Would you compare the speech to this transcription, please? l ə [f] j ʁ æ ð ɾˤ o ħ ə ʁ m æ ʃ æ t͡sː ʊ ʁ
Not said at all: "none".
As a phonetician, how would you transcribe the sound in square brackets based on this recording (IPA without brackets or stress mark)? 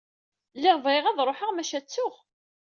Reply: v